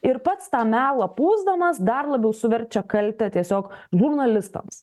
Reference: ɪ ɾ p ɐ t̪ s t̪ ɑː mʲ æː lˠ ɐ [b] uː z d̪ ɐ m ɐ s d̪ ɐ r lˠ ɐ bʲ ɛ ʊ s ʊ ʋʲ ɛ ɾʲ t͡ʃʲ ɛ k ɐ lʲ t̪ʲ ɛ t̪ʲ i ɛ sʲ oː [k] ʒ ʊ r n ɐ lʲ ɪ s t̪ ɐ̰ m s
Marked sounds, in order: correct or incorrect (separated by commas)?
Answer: incorrect, correct